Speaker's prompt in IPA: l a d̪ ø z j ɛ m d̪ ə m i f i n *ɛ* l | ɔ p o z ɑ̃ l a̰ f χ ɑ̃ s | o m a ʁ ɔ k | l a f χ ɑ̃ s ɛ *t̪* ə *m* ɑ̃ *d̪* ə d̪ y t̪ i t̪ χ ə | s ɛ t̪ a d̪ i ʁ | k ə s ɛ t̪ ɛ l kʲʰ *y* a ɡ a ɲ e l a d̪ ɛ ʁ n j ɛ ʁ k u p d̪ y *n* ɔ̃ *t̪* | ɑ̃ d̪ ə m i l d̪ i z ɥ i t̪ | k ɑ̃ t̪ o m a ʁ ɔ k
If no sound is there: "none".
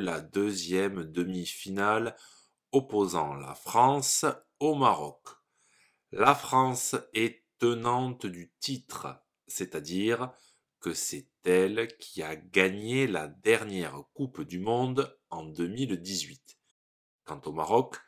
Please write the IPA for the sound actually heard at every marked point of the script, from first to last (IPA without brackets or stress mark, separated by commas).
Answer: a, t̪, n, t̪, i, m, d̪